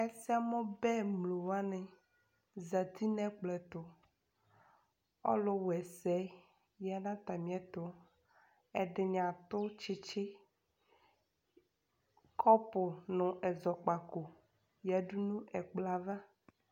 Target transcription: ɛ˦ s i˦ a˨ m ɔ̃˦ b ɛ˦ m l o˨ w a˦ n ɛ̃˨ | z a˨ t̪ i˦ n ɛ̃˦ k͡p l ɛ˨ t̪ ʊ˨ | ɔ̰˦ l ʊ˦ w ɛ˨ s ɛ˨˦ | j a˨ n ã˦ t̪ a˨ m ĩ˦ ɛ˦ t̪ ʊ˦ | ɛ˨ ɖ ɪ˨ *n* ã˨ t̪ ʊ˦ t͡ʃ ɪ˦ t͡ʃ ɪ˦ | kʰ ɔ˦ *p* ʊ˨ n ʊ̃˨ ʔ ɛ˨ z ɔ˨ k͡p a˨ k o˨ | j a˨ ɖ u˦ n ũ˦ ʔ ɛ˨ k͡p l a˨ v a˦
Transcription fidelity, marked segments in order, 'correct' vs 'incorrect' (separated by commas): incorrect, correct